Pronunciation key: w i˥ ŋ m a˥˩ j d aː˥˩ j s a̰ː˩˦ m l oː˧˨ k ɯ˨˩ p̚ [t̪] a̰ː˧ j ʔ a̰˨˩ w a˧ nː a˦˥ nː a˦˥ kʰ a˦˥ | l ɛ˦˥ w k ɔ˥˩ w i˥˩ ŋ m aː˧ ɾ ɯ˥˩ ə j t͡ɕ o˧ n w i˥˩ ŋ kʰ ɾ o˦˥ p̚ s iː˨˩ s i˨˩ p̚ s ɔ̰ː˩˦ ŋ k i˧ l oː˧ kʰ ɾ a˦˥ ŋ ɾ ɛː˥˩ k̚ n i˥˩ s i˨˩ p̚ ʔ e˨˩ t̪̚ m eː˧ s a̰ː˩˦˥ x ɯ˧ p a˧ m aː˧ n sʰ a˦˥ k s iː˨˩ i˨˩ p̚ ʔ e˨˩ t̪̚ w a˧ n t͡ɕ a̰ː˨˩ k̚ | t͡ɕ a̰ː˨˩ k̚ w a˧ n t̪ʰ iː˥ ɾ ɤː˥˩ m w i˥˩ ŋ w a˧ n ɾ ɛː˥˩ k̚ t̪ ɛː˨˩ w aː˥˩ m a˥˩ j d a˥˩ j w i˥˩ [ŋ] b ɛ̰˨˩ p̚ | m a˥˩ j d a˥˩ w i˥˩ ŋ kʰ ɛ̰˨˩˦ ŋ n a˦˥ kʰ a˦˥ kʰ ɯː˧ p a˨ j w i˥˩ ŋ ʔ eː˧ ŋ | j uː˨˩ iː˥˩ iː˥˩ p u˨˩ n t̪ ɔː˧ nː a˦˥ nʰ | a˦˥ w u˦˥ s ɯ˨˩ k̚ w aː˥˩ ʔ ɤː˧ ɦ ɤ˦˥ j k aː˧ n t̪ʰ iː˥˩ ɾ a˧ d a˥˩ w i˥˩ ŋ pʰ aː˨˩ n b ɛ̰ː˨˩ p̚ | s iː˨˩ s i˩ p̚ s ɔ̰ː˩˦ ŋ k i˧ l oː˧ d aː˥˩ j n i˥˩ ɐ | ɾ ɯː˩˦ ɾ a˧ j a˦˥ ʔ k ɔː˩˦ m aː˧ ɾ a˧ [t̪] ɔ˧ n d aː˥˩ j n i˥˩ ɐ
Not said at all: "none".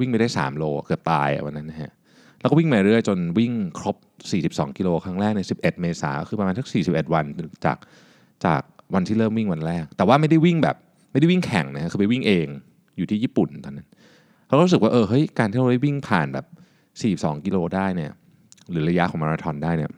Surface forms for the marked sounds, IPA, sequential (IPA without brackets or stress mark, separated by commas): t̪, ŋ, t̪ʰ